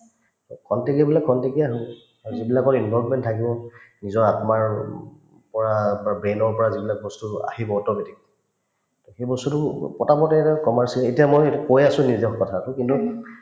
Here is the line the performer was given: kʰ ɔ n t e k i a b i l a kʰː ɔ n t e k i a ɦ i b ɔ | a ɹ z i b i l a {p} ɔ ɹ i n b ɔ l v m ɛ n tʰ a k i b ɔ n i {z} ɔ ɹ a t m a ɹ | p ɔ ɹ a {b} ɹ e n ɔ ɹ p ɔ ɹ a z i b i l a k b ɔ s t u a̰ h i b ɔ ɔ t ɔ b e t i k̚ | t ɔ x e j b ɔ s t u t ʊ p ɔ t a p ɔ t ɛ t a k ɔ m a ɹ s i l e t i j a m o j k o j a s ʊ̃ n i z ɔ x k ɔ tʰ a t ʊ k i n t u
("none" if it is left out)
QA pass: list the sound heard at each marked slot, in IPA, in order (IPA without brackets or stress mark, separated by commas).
k, z, b